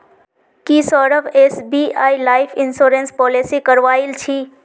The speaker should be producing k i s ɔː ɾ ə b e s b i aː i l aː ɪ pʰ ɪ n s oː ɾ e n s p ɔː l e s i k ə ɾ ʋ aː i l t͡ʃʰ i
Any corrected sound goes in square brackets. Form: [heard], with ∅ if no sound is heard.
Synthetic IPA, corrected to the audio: k i s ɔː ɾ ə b e s b i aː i l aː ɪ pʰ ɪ n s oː ɾ e n s p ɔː l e s i k ə ɾ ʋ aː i l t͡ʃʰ i